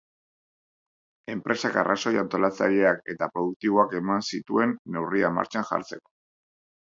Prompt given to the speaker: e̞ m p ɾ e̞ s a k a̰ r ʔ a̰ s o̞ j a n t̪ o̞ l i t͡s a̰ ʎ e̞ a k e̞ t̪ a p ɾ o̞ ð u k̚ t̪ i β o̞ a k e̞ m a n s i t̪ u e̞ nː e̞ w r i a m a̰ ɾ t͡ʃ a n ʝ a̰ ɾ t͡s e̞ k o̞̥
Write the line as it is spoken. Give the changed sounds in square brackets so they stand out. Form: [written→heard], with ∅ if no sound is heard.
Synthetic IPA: e̞ m p ɾ e̞ s a k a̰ r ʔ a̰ s o̞ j a n t̪ o̞ l [i→a] t͡s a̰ ʎ e̞ a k e̞ t̪ a p ɾ o̞ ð u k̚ t̪ i β o̞ a k e̞ m a n s i t̪ u e̞ nː e̞ w r i a m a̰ ɾ t͡ʃ a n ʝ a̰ ɾ t͡s e̞ k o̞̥